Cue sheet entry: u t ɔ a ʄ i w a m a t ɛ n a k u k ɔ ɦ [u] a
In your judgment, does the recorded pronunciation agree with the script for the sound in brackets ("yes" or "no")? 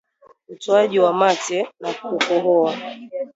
no